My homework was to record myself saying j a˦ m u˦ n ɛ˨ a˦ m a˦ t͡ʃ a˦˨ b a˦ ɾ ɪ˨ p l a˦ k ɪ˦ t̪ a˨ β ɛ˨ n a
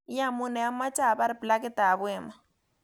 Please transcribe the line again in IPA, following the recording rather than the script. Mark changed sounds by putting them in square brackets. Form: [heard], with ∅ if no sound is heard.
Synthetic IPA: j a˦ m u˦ n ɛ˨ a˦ m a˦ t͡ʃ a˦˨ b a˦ ɾ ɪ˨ p l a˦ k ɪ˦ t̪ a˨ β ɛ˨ [m] a

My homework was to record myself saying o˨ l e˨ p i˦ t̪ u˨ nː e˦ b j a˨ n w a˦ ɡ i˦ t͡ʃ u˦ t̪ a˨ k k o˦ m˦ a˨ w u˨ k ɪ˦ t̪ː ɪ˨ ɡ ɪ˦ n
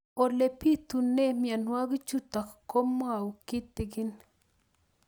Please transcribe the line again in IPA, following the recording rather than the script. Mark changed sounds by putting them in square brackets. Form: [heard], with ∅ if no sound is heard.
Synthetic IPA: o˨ l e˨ p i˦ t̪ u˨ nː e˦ [m] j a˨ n w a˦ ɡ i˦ t͡ʃ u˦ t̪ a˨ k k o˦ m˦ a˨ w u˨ k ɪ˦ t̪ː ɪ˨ ɡ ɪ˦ n

